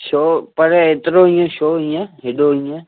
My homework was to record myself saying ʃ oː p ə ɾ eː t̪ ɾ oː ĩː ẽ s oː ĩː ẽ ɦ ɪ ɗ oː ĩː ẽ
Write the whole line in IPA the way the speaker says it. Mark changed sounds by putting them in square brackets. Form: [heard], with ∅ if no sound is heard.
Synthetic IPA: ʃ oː p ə ɾ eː t̪ ɾ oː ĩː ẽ [ʃ] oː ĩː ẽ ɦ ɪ ɗ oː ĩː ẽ